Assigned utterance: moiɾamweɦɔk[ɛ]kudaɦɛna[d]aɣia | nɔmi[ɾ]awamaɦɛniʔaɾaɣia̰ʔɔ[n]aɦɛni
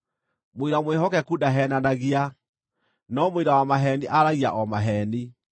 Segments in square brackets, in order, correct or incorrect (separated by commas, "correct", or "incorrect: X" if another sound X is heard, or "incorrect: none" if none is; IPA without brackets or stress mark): correct, incorrect: n, correct, incorrect: m